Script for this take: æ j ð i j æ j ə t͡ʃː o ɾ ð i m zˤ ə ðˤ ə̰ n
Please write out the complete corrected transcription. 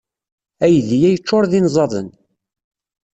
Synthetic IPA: æ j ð i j æ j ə t͡ʃː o ɾ ð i n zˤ ɑ ðˤ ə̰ n